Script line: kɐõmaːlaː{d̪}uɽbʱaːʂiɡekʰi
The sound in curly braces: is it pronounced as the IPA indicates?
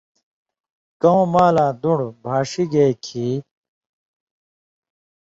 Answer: yes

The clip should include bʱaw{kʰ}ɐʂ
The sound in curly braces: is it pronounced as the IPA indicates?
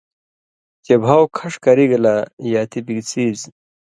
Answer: yes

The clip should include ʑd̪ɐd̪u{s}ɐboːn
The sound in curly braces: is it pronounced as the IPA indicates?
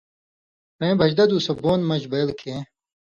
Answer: yes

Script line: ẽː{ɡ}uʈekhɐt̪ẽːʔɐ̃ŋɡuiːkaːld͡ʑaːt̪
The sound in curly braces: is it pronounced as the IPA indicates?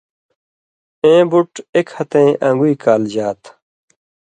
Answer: no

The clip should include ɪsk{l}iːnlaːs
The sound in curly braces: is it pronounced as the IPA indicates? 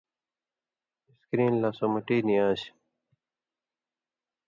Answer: no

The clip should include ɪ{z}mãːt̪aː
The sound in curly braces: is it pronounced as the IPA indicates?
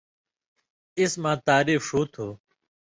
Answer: no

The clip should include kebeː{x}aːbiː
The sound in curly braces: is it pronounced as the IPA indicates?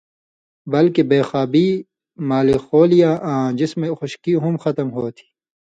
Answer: yes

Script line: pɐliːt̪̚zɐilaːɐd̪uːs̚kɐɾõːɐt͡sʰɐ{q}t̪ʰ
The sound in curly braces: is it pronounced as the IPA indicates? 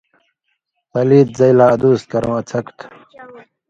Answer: no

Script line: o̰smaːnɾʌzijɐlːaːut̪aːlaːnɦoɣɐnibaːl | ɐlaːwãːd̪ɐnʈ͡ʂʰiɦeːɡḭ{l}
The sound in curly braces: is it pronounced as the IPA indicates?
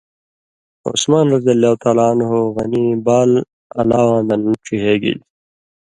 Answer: yes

